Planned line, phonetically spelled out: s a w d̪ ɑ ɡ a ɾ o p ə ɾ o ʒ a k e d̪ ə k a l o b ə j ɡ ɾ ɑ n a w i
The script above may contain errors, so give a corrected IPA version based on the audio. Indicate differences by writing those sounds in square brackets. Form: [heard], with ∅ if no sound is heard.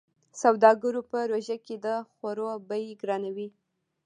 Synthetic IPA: s a w d̪ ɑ ɡ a ɾ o p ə ɾ o ʒ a k e d̪ ə [x] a [ɾ] o b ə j ɡ ɾ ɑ n a w i